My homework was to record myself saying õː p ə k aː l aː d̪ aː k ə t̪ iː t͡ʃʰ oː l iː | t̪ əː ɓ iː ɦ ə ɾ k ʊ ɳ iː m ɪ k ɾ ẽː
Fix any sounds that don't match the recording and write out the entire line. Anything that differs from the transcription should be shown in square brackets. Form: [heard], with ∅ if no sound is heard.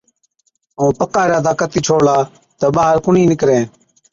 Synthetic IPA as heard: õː p ə k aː [ɾ] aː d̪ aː k ə t̪ iː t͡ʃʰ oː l [aː] | t̪ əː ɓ [aː] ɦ ə ɾ k ʊ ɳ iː [n] ɪ k ɾ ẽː

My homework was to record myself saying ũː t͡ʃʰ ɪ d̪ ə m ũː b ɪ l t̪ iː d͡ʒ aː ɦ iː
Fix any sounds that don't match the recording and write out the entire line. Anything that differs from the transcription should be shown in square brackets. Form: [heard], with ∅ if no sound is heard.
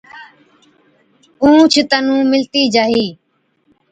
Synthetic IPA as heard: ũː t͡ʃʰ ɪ [t̪] ə [n] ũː [m] ɪ l t̪ iː d͡ʒ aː ɦ iː

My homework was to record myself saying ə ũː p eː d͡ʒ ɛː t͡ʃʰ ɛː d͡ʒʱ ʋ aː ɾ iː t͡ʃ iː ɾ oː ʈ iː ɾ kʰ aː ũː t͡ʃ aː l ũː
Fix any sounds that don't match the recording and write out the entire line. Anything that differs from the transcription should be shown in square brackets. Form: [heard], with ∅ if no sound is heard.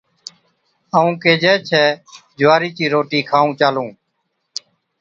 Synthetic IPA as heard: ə ũː [k] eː d͡ʒ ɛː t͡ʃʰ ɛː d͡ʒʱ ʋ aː ɾ iː t͡ʃ iː ɾ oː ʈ iː [∅] kʰ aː ũː t͡ʃ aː l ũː

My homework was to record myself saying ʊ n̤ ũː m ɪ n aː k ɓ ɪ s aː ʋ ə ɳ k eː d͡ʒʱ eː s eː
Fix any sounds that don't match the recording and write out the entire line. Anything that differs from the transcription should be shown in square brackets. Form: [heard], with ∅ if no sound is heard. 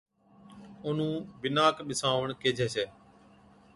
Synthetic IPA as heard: ʊ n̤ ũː [b] ɪ n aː k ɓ ɪ s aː ʋ ə ɳ k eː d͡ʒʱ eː s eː

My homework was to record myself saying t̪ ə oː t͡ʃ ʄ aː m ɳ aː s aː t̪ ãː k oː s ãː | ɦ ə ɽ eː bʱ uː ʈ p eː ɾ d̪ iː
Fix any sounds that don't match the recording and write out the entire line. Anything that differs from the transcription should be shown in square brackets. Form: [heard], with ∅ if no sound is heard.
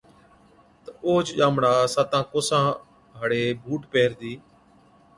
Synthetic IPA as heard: t̪ ə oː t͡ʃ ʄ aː m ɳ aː s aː t̪ ãː k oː s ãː | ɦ ə ɽ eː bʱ uː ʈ p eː ɾ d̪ iː

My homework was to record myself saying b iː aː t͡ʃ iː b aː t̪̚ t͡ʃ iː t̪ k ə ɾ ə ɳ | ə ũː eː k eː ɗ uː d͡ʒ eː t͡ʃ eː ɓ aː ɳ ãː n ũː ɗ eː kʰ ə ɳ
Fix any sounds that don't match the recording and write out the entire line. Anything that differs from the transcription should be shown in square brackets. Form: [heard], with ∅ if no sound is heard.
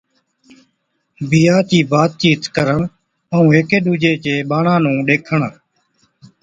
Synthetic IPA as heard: b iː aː t͡ʃ iː b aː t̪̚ t͡ʃ iː t̪ k ə ɾ ə ɳ | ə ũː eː k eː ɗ uː d͡ʒ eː t͡ʃ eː ɓ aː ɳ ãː n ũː ɗ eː kʰ ə ɳ

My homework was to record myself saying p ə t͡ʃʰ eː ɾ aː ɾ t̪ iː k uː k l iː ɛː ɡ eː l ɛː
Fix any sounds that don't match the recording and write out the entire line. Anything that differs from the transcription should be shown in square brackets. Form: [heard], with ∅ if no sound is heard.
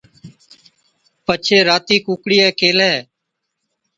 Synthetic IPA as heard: p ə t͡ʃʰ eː ɾ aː [∅] t̪ iː k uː k [ɽ] iː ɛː [k] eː l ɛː

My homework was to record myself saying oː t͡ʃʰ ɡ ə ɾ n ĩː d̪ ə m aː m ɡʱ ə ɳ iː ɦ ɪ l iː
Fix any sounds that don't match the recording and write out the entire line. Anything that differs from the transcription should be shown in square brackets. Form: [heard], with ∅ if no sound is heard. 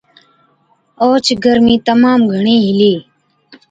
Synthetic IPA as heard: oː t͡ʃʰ ɡ ə ɾ [m] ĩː [t̪] ə m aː m ɡʱ ə ɳ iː ɦ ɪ l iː

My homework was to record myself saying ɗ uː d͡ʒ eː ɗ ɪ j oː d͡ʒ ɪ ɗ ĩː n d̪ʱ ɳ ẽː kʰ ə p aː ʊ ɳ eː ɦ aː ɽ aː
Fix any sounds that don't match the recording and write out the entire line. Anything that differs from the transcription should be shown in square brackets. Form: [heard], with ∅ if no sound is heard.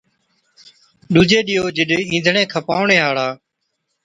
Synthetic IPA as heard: ɗ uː d͡ʒ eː ɗ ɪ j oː d͡ʒ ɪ ɗ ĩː n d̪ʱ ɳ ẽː kʰ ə p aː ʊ ɳ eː ɦ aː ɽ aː

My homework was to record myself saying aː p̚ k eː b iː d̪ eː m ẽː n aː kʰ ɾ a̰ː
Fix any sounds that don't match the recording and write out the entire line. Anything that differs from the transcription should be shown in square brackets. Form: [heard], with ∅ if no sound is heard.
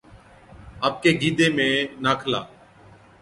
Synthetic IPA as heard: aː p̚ k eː [ɡ] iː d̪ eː m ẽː n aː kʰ [l] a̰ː

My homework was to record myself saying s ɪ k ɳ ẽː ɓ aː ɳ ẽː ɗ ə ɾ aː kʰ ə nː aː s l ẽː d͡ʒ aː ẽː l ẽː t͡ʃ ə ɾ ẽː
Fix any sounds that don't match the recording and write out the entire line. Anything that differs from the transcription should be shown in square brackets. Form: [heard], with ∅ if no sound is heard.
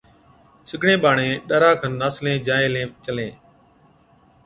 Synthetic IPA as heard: s ɪ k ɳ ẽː ɓ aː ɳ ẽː ɗ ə ɾ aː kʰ ə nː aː s l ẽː d͡ʒ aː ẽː l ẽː t͡ʃ ə [l] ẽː

